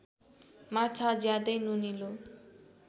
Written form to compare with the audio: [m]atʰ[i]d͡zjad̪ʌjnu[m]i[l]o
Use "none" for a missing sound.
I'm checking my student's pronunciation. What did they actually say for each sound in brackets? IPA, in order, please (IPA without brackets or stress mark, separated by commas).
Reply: m, a, n, l